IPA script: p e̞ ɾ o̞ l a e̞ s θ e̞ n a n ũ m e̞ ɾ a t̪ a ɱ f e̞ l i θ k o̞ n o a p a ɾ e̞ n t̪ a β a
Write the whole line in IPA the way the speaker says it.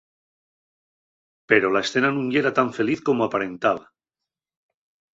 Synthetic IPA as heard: p e̞ ɾ o̞ l a e̞ s θ e̞ n a n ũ ŋ e̞ ɾ a t̪ a ɱ f e̞ l i θ k o̞ m o a p a ɾ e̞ n t̪ a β a

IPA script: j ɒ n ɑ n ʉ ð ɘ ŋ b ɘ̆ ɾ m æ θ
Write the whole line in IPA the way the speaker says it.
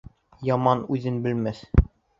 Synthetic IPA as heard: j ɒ m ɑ n ʉ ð ɘ n b ɘ̆ l m æ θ

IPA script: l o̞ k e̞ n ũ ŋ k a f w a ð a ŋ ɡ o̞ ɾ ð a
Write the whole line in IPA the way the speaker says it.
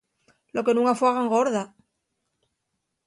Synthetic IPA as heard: l o̞ k e̞ n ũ ŋ k a f w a ɣ a ŋ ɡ o̞ ɾ ð a

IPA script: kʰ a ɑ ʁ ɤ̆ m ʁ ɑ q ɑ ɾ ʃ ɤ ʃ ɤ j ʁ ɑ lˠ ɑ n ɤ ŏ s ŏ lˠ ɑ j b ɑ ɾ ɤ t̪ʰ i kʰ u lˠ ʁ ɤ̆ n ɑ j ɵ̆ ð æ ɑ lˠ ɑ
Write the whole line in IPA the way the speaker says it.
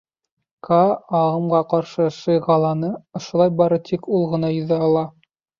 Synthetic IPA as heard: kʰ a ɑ ʁ ɤ̆ m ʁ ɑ q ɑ ɾ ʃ ɤ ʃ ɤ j ʁ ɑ lˠ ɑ n ɤ ŏ ʃ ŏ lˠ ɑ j b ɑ ɾ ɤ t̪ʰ i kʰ u lˠ ʁ ɤ̆ n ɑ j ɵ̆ ð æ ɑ lˠ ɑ

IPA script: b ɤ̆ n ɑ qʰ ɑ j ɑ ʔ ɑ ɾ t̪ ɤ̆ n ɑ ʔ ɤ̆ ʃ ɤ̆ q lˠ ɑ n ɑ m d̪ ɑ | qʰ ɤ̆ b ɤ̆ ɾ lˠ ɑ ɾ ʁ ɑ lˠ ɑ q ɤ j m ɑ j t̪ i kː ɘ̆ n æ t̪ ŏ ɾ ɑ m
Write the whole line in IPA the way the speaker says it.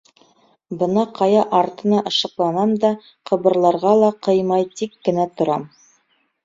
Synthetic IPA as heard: b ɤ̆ n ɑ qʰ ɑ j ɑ ʔ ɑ ɾ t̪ ɤ̆ n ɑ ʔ ɤ̆ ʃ ɤ̆ q lˠ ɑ n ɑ m d̪ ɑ | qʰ ɤ̆ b ɤ̆ ɾ lˠ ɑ ɾ ʁ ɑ lˠ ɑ q ɤ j m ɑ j t̪ i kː ɘ̆ n æ t̪ ŏ ɾ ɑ m

